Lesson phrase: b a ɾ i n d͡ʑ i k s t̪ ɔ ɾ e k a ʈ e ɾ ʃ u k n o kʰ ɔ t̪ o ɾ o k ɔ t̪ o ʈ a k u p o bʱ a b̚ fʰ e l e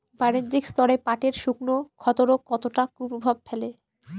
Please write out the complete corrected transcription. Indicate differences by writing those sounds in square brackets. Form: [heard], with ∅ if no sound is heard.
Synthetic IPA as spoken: b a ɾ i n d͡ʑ i k s t̪ ɔ ɾ e [p] a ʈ e ɾ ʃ u k n o kʰ ɔ t̪ o ɾ o k ɔ t̪ o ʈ a k u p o bʱ a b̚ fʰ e l e